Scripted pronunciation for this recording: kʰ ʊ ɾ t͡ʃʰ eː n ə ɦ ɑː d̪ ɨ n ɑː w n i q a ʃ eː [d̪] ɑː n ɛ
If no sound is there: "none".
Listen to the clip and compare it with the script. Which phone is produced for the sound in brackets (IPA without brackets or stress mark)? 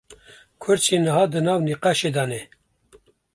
d̪